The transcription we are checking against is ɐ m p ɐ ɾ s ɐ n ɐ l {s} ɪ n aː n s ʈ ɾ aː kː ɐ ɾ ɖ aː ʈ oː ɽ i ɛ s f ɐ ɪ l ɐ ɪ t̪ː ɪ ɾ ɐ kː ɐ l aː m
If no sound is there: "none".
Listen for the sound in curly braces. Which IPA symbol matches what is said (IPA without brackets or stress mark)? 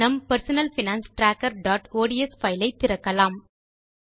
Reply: f